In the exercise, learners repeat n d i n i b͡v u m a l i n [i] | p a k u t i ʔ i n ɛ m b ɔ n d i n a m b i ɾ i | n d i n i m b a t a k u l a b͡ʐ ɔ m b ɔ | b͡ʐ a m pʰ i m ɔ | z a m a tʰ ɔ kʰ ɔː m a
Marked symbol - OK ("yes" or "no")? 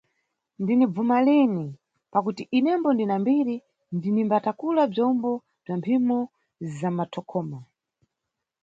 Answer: yes